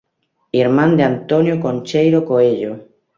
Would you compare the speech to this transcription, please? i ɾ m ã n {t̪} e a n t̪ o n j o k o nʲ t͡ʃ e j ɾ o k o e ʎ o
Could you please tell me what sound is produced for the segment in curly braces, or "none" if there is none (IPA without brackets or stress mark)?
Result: d̪